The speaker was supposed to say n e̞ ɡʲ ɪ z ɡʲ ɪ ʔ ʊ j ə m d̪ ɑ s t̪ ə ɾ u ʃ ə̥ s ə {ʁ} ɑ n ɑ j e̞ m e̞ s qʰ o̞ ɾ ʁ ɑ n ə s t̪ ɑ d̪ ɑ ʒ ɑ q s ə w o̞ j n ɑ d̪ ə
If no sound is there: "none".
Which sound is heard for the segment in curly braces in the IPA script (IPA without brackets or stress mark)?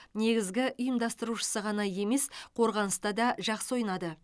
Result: ʁ